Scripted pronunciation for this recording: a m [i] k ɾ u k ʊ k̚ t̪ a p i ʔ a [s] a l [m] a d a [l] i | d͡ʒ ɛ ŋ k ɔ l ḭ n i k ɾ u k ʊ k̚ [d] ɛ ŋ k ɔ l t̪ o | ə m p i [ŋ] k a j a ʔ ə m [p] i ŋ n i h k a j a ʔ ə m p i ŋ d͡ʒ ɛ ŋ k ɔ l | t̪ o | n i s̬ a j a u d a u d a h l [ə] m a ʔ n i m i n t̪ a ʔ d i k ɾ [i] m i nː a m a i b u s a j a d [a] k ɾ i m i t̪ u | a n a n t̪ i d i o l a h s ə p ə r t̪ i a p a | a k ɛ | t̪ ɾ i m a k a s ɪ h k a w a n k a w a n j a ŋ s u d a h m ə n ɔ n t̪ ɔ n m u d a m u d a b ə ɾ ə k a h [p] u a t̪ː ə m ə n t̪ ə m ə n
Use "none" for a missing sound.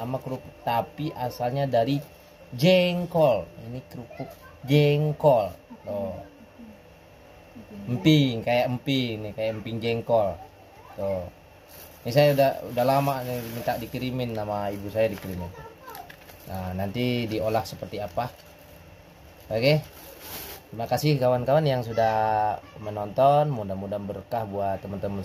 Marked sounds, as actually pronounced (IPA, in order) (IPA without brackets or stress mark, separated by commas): a, s, ɲ, ɾ, d͡ʒ, ŋ, p, a, i, i, b